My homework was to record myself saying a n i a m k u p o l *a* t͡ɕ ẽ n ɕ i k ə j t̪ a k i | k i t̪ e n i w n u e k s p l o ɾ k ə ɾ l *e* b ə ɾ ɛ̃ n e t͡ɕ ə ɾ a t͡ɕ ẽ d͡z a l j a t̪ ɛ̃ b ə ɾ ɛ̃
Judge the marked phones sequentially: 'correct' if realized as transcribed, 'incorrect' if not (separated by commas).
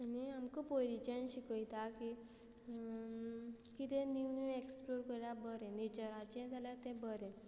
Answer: incorrect, incorrect